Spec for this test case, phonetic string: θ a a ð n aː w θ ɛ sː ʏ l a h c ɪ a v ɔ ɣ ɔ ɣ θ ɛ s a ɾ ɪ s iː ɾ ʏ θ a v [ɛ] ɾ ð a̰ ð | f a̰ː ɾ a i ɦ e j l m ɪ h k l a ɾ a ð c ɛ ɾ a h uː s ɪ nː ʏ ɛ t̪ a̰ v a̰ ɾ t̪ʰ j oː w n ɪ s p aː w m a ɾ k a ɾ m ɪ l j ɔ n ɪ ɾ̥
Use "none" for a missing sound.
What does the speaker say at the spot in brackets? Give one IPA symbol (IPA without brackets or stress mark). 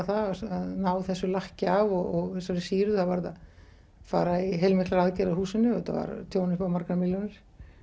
a